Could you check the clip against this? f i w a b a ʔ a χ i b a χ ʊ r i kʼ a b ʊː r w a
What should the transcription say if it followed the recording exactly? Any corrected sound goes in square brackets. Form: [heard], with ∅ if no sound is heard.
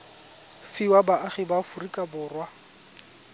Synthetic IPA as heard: f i w a b a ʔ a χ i b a [f] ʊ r i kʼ a b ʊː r w a